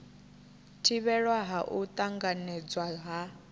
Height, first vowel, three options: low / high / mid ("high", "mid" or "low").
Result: high